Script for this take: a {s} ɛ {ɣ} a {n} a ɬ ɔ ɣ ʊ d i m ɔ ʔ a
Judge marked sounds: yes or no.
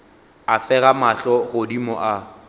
no, yes, no

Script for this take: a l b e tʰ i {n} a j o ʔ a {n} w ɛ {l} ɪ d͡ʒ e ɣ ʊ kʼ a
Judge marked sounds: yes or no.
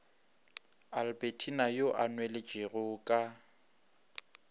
yes, yes, yes

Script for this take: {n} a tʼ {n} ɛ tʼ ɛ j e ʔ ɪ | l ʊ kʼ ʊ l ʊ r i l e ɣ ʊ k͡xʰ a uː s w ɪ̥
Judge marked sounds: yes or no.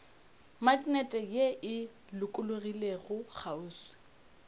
no, yes

